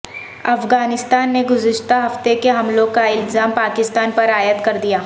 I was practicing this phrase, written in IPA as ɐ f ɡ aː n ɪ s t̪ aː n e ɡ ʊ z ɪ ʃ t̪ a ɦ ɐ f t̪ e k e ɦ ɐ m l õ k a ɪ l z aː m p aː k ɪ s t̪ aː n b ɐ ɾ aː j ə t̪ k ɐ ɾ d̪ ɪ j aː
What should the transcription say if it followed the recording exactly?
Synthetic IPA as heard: ɐ f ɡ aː n ɪ s t̪ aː nː e ɡ ʊ z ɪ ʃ t̪ a ɦ ɐ f t̪ e k e ɦ ɐ m l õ k a ɪ l z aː m p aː k ɪ s t̪ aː n p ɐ ɾ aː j ə t̪ k ɐ ɾ d̪ i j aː